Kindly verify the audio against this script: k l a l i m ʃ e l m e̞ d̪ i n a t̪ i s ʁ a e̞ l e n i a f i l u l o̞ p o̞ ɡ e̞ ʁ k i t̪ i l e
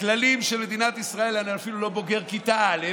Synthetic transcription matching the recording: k l a l i m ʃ e l m e̞ d̪ i n a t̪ i s ʁ a e̞ l a n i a f i l u l o̞ b o̞ ɡ e̞ ʁ k i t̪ a l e